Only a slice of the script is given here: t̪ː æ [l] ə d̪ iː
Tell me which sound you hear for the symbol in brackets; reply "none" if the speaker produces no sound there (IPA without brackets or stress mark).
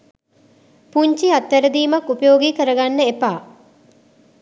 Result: ɾ